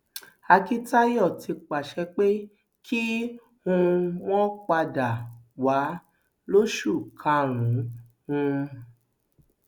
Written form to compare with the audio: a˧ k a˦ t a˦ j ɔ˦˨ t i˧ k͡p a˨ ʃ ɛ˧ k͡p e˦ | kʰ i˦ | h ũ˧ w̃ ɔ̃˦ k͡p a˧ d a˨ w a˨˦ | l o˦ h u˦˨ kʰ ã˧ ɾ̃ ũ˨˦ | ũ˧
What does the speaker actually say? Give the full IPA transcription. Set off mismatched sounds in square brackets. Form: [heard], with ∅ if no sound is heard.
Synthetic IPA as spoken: a˧ k [i˦] t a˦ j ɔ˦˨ t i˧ k͡p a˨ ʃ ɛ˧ k͡p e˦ | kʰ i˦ | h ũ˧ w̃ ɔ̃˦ k͡p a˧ d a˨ w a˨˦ | l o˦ [ʃ] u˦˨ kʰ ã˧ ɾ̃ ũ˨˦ | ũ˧